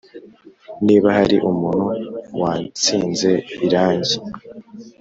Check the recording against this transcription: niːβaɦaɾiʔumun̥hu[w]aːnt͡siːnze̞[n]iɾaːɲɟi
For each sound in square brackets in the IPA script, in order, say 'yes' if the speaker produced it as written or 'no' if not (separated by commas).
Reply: yes, no